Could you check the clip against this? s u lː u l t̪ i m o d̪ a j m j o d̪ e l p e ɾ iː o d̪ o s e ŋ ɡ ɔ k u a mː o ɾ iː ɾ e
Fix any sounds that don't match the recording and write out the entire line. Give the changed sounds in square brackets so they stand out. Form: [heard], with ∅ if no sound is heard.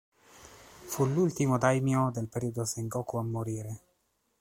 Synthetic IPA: [f] u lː u l t̪ i m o d̪ a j m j o d̪ e l p e ɾ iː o d̪ o s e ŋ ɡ ɔ k u a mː o ɾ iː ɾ e